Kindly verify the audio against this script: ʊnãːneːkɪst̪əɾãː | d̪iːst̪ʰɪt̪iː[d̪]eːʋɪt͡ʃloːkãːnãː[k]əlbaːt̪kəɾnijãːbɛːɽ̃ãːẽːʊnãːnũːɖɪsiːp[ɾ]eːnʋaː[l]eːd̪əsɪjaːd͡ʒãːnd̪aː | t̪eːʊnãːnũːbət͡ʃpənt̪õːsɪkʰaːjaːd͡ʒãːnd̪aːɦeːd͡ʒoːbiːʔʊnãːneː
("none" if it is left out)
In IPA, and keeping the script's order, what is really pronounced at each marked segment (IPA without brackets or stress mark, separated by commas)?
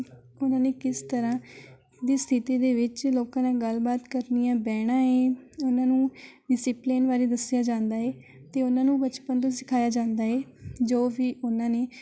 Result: d̪, ɡ, l, ɾ